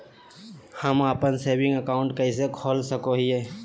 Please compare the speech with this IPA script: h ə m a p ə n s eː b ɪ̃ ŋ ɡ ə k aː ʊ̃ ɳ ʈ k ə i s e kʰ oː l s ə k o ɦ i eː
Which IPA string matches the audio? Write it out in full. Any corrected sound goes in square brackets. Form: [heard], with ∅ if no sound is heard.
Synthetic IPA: h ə m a p ə n s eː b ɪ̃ ŋ ɡ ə k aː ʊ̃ ɳ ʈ k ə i s e kʰ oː l s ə k o ɦ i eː

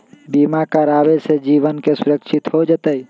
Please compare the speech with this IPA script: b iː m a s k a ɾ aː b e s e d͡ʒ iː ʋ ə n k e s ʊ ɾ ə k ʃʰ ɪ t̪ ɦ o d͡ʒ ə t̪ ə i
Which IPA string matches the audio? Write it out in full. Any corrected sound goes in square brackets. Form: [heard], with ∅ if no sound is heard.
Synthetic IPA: b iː m a [∅] k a ɾ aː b e s e d͡ʒ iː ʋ ə n k e s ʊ ɾ ə k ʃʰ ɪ t̪ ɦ o d͡ʒ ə t̪ ə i

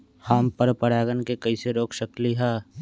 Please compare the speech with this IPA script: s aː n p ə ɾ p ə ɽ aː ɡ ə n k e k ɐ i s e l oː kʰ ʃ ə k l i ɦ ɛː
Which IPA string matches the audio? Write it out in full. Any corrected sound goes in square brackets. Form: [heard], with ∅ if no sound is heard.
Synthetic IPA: [h] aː [m] p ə ɾ p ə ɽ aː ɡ ə n k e k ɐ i s e [ɾ] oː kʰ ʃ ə k l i ɦ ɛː

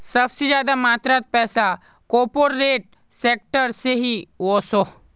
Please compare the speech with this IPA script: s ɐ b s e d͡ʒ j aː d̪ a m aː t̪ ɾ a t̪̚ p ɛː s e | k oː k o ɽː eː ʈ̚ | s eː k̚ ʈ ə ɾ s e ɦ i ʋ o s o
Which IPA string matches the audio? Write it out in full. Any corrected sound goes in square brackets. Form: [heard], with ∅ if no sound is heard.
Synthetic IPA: s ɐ b s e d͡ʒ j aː d̪ a m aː t̪ ɾ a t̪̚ p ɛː s [a] | k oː [p] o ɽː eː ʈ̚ | s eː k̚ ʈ ə ɾ s e ɦ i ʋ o s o

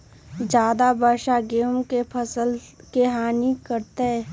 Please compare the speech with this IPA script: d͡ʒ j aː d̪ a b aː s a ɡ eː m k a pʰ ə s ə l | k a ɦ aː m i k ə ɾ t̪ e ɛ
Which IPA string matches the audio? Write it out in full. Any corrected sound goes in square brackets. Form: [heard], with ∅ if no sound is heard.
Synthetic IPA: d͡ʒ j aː d̪ a b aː [ʃ] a ɡ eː m k [e] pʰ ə s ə l | k [e] ɦ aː [n] i k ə ɾ t̪ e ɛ

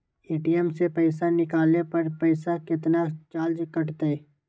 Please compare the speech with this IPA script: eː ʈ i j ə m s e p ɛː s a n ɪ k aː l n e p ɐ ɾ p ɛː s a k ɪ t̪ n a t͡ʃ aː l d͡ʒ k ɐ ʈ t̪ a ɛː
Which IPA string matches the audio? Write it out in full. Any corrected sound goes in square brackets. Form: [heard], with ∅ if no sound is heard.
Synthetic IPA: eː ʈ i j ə m s e p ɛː s a n ɪ k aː l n e p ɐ ɾ p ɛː s a k ɪ t̪ n a t͡ʃ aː l d͡ʒ k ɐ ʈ t̪ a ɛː

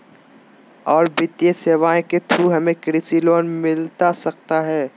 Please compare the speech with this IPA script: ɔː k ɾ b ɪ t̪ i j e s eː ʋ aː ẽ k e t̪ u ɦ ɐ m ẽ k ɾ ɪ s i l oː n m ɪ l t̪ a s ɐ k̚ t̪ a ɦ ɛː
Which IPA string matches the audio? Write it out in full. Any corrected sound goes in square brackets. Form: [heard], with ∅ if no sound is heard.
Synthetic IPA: ɔː [∅] ɾ b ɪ t̪ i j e s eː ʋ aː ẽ k e [t̪ʰ] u ɦ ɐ m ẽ k ɾ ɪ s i l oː n m ɪ l t̪ a s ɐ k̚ t̪ a ɦ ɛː

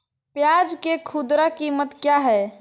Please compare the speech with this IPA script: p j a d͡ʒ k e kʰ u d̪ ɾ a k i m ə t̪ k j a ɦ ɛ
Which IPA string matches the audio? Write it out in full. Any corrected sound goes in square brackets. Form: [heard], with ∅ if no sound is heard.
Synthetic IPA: p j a d͡ʒ k e kʰ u d̪ ɾ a k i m ə t̪ k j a ɦ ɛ

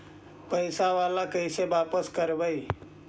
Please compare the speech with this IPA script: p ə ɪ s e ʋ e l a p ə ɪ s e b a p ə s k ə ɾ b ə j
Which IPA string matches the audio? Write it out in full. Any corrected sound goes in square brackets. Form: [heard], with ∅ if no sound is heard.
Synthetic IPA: p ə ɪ s [a] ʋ [a] l a [k] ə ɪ s e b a p ə s k ə ɾ b ə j

